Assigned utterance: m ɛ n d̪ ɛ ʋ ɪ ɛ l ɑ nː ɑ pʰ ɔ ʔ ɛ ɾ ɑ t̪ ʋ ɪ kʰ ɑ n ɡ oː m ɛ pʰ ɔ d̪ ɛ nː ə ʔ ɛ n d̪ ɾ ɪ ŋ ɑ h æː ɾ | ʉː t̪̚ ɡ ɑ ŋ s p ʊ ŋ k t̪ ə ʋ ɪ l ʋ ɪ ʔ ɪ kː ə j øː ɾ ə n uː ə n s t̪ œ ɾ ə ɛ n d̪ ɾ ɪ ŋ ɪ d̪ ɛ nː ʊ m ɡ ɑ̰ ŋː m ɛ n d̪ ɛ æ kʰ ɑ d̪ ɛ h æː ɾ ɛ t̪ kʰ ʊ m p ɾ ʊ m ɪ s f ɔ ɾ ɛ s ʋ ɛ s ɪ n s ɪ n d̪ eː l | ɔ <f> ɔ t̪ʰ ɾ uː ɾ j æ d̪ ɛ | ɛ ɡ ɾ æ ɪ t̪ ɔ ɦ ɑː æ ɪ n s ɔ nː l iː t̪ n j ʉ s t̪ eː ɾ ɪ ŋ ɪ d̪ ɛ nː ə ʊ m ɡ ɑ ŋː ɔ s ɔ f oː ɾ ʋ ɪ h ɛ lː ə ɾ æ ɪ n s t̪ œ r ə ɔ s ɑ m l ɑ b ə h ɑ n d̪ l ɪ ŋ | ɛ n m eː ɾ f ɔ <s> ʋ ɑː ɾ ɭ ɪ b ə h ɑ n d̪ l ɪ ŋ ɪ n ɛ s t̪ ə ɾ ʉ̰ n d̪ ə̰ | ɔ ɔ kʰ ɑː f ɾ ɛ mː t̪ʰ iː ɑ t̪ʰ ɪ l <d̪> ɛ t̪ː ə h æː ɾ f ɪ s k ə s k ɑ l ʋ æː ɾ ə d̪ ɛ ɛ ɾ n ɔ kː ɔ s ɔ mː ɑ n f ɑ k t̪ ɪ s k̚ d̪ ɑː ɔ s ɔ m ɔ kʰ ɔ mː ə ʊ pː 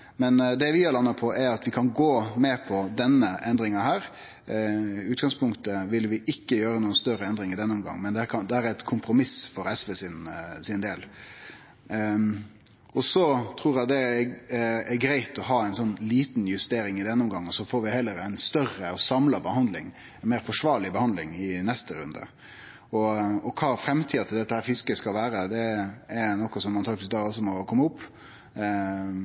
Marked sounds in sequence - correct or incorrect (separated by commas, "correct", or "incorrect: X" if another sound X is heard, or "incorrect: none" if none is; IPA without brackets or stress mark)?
incorrect: s, incorrect: ʂ, correct